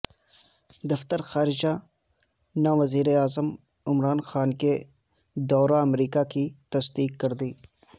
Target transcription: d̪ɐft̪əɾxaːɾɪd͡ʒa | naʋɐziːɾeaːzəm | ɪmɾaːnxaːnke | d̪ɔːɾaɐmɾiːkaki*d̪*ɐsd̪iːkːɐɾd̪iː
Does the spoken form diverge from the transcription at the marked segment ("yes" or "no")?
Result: yes